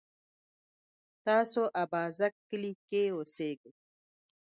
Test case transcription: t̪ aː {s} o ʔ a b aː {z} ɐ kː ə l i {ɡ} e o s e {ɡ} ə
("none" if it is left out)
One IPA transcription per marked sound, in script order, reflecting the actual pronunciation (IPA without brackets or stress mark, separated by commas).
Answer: s, z, k, ɡ